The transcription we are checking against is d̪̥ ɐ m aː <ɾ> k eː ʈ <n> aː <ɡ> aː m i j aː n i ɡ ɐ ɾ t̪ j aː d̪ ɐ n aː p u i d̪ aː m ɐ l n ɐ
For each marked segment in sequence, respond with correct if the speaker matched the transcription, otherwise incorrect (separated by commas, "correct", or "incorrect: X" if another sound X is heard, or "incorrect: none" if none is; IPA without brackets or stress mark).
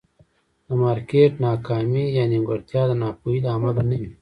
correct, correct, incorrect: k